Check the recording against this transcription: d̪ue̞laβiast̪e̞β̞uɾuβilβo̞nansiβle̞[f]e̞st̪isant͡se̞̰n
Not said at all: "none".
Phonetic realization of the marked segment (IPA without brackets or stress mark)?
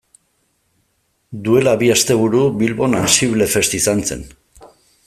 f